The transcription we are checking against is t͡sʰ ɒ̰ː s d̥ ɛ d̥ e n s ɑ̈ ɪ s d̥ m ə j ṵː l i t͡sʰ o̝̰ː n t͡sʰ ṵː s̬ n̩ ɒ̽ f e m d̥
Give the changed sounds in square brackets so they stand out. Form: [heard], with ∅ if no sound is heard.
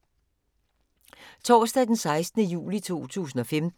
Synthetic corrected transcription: t͡sʰ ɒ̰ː s d̥ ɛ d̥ e n s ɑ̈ ɪ s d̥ [n] ə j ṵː l i t͡sʰ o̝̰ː [∅] t͡sʰ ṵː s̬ n̩ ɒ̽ f e m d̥